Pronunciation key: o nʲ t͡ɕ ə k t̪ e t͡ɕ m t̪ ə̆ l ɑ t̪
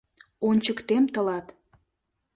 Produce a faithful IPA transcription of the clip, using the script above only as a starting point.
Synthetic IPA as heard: o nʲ t͡ɕ ə k t̪ e m t̪ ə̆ l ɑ t̪